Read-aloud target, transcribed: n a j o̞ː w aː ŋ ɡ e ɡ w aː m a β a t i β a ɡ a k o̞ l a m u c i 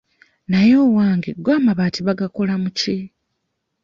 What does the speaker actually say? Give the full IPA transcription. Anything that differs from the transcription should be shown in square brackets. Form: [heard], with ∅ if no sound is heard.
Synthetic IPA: n a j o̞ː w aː ŋ ɡ e ɡ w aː m a β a t i β a ɡ a k o̞ l a m u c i